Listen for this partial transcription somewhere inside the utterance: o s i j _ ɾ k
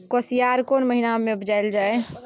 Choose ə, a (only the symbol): a